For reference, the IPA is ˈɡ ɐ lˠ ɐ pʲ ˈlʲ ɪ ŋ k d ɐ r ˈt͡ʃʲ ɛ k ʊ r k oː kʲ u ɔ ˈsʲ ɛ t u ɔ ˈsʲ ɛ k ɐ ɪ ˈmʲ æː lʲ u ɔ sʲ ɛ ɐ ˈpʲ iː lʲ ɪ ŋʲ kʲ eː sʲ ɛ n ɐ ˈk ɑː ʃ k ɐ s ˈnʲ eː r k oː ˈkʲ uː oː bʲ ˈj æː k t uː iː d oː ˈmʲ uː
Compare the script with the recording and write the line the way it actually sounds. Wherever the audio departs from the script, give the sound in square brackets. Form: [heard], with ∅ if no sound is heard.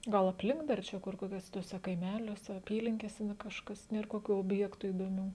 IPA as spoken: ˈɡ ɐ lˠ ɐ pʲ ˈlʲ ɪ ŋ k d ɐ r ˈt͡ʃʲ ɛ k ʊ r k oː kʲ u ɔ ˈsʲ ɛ t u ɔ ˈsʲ ɛ k ɐ ɪ ˈmʲ æː lʲ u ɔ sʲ ɛ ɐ ˈpʲ iː lʲ ɪ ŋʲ kʲ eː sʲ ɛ n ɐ ˈk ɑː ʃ k ɐ s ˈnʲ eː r k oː ˈkʲ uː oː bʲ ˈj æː k t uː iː d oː ˈmʲ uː